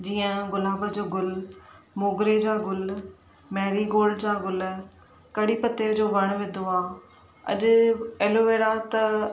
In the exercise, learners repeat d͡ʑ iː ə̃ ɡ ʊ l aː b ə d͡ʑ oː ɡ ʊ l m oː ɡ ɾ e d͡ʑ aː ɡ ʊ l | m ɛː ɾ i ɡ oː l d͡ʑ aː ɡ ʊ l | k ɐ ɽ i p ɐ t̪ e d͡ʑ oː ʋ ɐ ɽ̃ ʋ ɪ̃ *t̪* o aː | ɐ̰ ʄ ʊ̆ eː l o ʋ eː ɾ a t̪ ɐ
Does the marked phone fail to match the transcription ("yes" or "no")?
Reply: yes